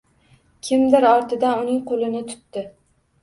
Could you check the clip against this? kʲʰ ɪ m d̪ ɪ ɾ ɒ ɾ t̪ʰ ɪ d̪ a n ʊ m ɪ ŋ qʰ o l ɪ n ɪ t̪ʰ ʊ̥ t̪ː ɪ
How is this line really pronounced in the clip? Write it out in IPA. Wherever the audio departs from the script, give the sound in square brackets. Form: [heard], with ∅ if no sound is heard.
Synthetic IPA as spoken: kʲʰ ɪ m d̪ ɪ ɾ ɒ ɾ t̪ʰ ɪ d̪ a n ʊ [n] ɪ ŋ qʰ o l ɪ n ɪ t̪ʰ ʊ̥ t̪ː ɪ